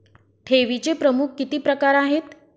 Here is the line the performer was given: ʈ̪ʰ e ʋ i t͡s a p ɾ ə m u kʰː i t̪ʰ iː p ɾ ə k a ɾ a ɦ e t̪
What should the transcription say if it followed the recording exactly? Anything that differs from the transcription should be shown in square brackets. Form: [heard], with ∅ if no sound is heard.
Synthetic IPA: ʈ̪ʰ e ʋ i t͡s [e] p ɾ ə m u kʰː i [t̪] iː p ɾ ə k a ɾ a ɦ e t̪